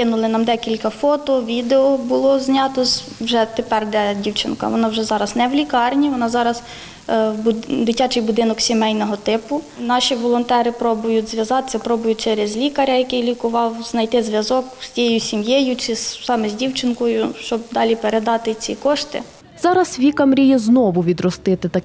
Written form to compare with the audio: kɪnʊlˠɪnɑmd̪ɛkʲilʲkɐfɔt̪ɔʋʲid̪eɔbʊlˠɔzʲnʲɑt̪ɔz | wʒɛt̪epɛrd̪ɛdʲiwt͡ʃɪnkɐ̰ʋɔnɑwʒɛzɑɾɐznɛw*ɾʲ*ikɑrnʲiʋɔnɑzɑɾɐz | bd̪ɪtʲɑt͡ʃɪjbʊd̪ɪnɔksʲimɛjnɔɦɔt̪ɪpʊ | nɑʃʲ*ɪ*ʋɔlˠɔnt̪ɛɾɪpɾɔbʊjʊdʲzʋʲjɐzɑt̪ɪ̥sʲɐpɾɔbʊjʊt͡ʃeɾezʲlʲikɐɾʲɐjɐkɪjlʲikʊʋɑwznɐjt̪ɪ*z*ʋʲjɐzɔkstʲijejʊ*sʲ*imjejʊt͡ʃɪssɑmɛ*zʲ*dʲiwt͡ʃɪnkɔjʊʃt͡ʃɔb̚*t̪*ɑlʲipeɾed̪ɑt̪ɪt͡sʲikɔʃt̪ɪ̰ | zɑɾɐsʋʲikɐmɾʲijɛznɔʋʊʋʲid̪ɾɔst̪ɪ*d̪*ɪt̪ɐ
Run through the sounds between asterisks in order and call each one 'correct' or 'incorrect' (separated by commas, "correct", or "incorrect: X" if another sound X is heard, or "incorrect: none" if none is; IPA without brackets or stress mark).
incorrect: lʲ, incorrect: i, correct, correct, correct, incorrect: d̪, incorrect: t̪